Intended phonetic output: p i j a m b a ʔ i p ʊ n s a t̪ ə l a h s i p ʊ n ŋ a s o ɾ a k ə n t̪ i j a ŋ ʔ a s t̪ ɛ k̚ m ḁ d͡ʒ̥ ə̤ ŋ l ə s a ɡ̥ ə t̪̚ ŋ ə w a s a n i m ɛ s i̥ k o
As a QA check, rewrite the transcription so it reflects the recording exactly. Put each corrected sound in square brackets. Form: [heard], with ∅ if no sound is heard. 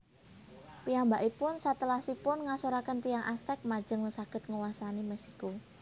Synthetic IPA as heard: p i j a m b a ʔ i p ʊ n s a t̪ ə l a h s i p ʊ n ŋ a s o ɾ a k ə n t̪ i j a ŋ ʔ a s t̪ ɛ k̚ m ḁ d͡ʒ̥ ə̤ ŋ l ə s a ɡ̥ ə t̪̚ ŋ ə w a s a n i m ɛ s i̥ k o